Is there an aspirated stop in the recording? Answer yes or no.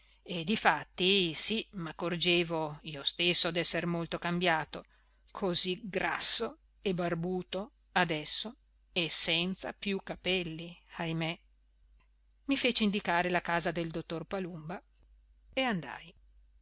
yes